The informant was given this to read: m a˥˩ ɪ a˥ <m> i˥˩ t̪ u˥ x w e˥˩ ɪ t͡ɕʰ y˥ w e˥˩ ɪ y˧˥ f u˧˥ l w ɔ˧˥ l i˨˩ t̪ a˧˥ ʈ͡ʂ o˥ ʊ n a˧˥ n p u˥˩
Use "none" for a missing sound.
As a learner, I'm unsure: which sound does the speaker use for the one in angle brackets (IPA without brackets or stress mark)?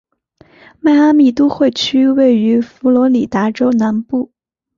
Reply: m